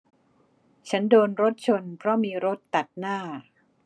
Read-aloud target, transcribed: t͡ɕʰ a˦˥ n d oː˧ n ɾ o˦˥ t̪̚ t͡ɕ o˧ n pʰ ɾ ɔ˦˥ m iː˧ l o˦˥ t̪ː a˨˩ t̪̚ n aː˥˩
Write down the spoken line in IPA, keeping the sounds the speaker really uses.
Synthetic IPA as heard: t͡ɕʰ a˦˥ n d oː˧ n ɾ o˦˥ t̪̚ t͡ɕʰ o˧ n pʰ ɾ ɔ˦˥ m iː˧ ɾ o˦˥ t̪ː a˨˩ t̪̚ n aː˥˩

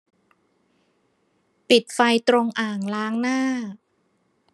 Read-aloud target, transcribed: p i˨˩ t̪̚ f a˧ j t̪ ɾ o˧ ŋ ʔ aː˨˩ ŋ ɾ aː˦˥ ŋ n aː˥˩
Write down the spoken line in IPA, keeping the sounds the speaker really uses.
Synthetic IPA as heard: p i˨˩ t̪̚ f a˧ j t̪ ɾ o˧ ŋ ʔ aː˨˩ ŋ l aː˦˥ ŋ n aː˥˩

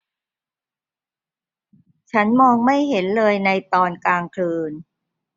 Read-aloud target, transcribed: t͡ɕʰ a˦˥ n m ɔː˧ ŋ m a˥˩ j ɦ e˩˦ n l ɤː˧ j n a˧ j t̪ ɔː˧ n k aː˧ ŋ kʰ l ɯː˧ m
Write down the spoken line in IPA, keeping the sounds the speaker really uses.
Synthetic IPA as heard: t͡ɕʰ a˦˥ n m ɔː˧ ŋ m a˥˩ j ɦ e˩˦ n l ɤː˧ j n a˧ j t̪ ɔː˧ n k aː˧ ŋ kʰ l ɯː˧ n

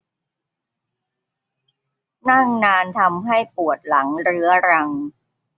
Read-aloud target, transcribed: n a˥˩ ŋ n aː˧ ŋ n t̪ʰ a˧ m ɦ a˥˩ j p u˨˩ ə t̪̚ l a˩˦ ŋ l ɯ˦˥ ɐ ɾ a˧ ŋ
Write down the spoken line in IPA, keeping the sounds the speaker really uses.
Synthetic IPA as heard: n a˥˩ ŋ n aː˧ n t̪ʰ a˧ m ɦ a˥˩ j p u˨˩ ə t̪̚ l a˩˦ ŋ ɾ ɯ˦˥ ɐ ɾ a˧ ŋ

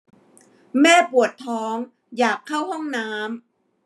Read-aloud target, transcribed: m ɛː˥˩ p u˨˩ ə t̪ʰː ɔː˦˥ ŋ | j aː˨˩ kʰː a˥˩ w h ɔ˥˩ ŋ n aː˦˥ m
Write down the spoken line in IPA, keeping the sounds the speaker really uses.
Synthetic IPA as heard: m ɛː˥˩ p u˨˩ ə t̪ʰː ɔː˦˥ ŋ | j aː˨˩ kʰː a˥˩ w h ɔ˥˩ ŋ n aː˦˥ m

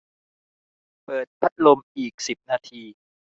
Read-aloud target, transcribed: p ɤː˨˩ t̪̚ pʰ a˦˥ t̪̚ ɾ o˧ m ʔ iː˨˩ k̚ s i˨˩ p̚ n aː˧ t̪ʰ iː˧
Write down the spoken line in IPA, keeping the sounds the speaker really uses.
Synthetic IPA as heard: p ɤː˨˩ t̪̚ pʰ a˦˥ t̪̚ l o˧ m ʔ iː˨˩ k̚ s i˨˩ p̚ n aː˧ t̪ʰ iː˧

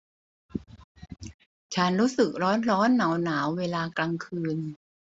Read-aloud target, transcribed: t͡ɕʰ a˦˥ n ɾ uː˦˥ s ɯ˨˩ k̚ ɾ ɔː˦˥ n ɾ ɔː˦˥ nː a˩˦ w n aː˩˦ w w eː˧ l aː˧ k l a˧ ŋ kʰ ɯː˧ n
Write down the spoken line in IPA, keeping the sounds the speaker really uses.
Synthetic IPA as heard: t͡ɕʰ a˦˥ n ɾ uː˦˥ s ɯ˨˩ k̚ ɾ ɔː˦˥ n ɾ ɔː˦˥ nː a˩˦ w n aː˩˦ w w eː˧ l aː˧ k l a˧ ŋ kʰ ɯː˧ n

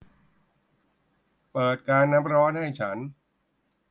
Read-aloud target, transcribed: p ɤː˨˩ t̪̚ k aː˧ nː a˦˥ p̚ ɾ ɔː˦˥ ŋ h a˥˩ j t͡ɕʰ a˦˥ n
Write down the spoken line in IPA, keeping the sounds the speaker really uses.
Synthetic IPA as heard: p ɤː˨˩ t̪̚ k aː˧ nː a˦˥ p̚ ɾ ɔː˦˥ n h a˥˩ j t͡ɕʰ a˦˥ n

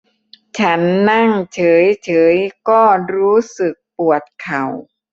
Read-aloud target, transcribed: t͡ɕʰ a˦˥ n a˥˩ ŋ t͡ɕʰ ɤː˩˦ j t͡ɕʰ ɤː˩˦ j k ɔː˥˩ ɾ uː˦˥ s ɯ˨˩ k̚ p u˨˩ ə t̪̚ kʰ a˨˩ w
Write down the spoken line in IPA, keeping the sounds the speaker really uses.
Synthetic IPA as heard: t͡ɕʰ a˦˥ nː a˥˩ ŋ t͡ɕʰ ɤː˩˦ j t͡ɕʰ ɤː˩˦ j k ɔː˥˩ ɾ uː˦˥ s ɯ˨˩ k̚ p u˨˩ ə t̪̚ kʰ a˨˩ w

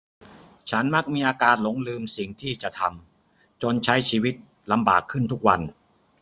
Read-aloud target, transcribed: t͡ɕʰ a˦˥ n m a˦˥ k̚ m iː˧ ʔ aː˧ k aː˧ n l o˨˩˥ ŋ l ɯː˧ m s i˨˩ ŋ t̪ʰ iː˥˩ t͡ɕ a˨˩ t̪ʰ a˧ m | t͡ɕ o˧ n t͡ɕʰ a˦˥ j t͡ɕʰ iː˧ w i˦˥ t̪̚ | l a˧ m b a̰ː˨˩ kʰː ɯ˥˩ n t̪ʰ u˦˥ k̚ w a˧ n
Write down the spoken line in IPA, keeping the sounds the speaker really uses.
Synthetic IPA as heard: t͡ɕʰ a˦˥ n m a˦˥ k̚ m iː˧ ʔ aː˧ k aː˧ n l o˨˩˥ ŋ l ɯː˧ m s i˨˩ ŋ t̪ʰ iː˥˩ t͡ɕ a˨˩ t̪ʰ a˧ m | t͡ɕ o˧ n t͡ɕʰ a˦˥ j t͡ɕʰ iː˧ w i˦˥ t̪̚ | l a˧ m b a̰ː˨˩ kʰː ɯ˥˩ n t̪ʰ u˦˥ k̚ w a˧ n

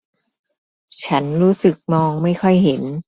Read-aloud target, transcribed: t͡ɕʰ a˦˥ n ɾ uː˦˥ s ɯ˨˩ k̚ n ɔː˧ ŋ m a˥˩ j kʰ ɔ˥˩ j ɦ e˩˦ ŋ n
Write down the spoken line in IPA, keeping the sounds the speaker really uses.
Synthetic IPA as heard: t͡ɕʰ a˦˥ n ɾ uː˦˥ s ɯ˨˩ k̚ m ɔː˧ ŋ m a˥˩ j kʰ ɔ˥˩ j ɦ e˩˦ n

